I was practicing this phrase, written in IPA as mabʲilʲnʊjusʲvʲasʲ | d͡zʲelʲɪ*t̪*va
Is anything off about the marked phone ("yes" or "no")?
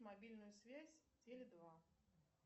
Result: yes